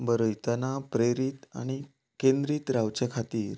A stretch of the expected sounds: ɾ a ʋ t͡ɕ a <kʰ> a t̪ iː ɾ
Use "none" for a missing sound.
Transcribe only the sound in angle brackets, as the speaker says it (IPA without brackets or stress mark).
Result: kʰ